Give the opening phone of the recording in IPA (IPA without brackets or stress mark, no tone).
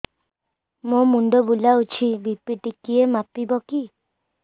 m